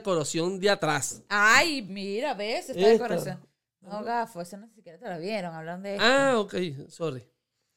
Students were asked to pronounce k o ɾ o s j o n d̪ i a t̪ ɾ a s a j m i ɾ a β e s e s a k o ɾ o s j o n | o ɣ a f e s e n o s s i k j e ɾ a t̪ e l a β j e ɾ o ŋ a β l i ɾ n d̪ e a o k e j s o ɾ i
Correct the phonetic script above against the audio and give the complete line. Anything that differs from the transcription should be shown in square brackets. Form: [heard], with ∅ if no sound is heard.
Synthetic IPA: k o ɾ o s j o n d̪ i a t̪ ɾ a s a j m i ɾ a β e s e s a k o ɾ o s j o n | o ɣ a f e s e n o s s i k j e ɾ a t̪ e l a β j e ɾ o ŋ a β l [a] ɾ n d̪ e a o k e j s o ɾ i